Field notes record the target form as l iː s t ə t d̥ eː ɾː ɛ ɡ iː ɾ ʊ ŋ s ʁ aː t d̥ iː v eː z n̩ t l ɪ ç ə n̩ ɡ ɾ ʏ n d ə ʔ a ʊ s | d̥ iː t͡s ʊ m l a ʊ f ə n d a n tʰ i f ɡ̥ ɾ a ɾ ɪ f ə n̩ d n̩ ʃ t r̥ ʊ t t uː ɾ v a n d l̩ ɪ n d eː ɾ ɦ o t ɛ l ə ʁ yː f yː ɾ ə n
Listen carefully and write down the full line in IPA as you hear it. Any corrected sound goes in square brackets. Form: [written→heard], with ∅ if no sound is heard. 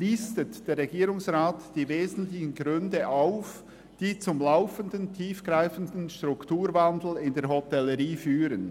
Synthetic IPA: l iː s t ə t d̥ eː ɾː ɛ ɡ iː ɾ ʊ ŋ s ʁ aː t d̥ iː v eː z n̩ t l ɪ ç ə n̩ ɡ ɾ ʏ n d ə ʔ a ʊ [s→f] | d̥ iː t͡s ʊ m l a ʊ f ə n d [a→ə] n tʰ [i→iː] f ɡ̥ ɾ a [ɾ→∅] ɪ f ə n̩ d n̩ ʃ t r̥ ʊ [t→k] t uː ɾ v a n d l̩ ɪ n d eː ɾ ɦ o t ɛ l ə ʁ [yː→iː] f yː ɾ ə n